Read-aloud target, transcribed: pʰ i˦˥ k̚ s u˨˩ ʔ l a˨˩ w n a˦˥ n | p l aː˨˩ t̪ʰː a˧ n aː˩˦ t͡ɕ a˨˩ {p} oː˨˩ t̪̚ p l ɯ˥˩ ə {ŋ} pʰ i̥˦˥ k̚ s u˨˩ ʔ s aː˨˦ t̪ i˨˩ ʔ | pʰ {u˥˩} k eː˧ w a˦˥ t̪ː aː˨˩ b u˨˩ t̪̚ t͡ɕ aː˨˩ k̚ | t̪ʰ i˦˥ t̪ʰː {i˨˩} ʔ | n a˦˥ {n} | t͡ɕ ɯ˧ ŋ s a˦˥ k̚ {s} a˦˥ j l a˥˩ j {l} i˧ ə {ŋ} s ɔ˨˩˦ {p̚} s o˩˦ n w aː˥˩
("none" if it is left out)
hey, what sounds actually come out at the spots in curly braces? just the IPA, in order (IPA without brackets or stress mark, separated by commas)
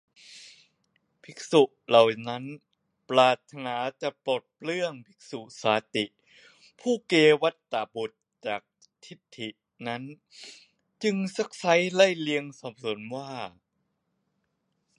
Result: p, ŋ, uː˥˩, i˨˩, n, s, l, ŋ, p̚